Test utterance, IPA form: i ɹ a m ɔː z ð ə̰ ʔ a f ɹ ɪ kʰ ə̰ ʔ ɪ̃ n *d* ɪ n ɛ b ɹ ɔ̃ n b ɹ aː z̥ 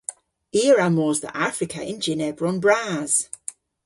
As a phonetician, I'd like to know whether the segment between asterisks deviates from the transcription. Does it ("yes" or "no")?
yes